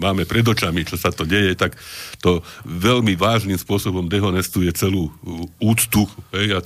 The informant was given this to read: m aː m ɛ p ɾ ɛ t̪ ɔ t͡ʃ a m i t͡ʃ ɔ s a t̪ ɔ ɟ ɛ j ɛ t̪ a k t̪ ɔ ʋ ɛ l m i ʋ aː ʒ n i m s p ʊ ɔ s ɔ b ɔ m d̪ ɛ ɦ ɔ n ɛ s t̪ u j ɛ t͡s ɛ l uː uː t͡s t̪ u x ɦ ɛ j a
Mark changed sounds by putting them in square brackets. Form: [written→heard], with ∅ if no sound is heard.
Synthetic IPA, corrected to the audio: m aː m ɛ p ɾ ɛ [t̪→d̪] ɔ t͡ʃ a m i t͡ʃ ɔ s a t̪ ɔ ɟ ɛ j ɛ t̪ a k t̪ ɔ ʋ ɛ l m i ʋ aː ʒ n i m s p ʊ ɔ s ɔ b ɔ m d̪ ɛ ɦ ɔ n ɛ s t̪ u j ɛ t͡s ɛ l uː uː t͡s t̪ u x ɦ ɛ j a